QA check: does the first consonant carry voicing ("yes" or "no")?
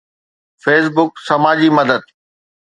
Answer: no